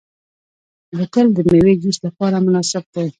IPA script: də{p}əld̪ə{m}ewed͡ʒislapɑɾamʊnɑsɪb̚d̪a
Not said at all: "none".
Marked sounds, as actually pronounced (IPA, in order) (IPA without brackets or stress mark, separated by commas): k, m